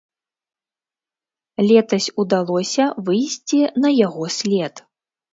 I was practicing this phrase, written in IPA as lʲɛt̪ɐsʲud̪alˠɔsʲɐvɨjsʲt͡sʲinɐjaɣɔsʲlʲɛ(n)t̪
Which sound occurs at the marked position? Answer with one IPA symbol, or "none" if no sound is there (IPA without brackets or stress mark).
none